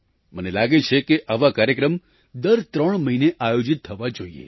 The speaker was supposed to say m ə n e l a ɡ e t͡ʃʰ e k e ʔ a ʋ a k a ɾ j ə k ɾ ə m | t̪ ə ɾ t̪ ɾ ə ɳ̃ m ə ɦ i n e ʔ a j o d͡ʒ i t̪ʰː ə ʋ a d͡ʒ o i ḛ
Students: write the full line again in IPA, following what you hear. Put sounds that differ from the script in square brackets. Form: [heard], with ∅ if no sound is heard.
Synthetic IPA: m ə n e l a ɡ e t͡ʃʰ e k e ʔ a ʋ a k a ɾ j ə k ɾ ə m | [d̪] ə ɾ t̪ ɾ ə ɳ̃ m ə ɦ i n e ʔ a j o d͡ʒ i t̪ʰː ə ʋ a d͡ʒ o i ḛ

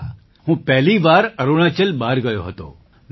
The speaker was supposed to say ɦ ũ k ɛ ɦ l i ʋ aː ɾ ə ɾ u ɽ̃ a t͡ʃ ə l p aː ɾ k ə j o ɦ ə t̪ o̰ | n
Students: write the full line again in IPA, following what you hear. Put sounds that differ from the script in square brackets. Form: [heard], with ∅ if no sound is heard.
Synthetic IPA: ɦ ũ [p] ɛ ɦ l i ʋ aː ɾ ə ɾ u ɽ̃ a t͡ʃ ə l [b] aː ɾ [ɡ] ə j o ɦ ə t̪ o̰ | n

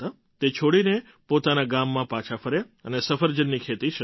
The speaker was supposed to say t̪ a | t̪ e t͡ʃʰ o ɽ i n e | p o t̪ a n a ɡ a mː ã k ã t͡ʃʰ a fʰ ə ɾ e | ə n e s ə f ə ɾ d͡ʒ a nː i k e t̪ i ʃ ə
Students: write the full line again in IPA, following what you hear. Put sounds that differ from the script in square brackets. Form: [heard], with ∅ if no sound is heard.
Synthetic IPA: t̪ a | t̪ e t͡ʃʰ o ɽ i n e | p o t̪ a n a ɡ a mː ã [p] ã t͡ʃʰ a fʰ ə ɾ e | ə n e s ə f ə ɾ d͡ʒ [ə] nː i [kʰ] e t̪ i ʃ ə

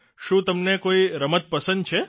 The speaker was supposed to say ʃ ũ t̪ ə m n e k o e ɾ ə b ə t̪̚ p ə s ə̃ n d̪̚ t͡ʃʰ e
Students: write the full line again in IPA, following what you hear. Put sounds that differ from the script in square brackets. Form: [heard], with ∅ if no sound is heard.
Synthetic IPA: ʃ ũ t̪ ə m n e k o [i] ɾ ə [m] ə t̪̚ p ə s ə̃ n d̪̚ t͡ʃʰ e

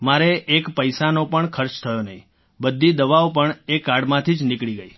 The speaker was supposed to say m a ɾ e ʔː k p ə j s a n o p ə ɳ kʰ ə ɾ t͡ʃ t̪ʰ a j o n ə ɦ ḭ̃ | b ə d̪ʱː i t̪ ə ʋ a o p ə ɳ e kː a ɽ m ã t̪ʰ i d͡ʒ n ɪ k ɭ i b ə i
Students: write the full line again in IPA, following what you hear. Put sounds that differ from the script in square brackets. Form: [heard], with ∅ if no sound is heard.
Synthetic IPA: m a ɾ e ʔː k p ə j s a n o p ə ɳ kʰ ə ɾ t͡ʃ t̪ʰ [ə] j o n ə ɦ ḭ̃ | b ə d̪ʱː i [d̪] ə ʋ a o p ə ɳ e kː a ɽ m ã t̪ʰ i d͡ʒ n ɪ k ɭ i [ɡ] ə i

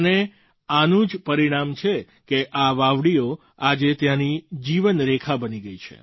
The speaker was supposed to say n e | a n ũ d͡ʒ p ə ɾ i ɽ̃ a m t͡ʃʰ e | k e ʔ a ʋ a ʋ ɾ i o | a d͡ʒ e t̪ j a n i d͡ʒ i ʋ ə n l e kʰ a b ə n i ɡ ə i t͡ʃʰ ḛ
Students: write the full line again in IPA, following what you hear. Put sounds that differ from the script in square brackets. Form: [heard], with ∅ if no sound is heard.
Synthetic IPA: n e | a n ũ d͡ʒ p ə ɾ i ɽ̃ a m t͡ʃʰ e | k e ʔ a ʋ a ʋ [ɽ] i o | a d͡ʒ e t̪ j a n i d͡ʒ i ʋ ə n [ɾ] e kʰ a b ə n i ɡ ə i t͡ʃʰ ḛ

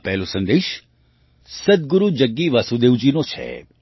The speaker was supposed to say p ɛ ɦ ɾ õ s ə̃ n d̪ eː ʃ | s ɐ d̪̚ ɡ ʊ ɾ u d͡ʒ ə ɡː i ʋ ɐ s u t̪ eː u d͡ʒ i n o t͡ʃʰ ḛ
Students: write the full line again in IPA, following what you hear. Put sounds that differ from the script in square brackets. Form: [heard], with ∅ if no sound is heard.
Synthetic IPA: p ɛ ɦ [l] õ s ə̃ n d̪ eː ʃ | s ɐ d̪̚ ɡ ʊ ɾ u d͡ʒ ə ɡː i ʋ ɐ s u [d̪] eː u d͡ʒ i n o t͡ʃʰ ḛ

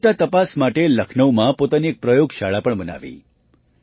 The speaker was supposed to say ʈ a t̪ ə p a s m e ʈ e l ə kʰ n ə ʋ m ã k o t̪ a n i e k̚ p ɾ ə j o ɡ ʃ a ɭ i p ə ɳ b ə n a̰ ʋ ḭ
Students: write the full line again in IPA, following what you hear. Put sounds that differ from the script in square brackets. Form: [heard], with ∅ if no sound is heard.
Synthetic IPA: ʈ a t̪ ə p a s m [a] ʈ e l ə kʰ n ə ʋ m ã [p] o t̪ a n i e k̚ p ɾ ə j o ɡ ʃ a ɭ [a] p ə ɳ b ə n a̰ ʋ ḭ

